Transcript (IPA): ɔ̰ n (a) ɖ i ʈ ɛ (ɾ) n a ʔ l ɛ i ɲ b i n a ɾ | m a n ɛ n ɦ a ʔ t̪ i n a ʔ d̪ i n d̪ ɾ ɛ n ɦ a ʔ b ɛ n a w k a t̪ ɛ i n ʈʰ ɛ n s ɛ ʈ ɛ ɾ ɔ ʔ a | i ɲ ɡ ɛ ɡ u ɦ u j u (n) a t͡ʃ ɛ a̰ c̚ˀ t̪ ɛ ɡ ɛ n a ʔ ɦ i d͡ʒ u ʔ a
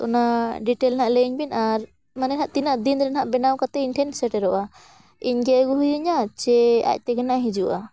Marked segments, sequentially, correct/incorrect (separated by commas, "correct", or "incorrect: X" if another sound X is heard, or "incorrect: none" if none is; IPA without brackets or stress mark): correct, incorrect: l, incorrect: ɲ